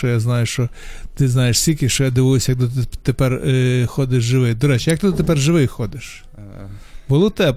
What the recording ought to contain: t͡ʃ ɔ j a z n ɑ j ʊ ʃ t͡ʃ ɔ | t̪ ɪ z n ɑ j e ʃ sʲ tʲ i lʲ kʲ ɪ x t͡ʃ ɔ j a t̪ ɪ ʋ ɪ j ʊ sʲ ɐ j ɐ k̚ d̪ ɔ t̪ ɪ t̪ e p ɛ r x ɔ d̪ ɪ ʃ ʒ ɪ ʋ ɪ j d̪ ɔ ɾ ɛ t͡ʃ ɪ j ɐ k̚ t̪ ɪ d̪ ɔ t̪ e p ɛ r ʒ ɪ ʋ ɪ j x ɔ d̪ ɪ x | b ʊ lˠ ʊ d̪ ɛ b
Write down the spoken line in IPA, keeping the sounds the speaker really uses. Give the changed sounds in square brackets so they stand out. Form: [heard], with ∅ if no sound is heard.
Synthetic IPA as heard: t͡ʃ ɔ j a z n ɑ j ʊ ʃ t͡ʃ ɔ | t̪ ɪ z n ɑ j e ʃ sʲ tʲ i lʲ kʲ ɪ [ʃ] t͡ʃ ɔ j a [d̪] ɪ ʋ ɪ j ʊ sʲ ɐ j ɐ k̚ d̪ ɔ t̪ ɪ t̪ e p ɛ r x ɔ d̪ ɪ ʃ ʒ ɪ ʋ ɪ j d̪ ɔ ɾ ɛ t͡ʃ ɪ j ɐ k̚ t̪ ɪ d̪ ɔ t̪ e p ɛ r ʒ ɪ ʋ ɪ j x ɔ d̪ ɪ [ʃ] | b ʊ lˠ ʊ [t̪] ɛ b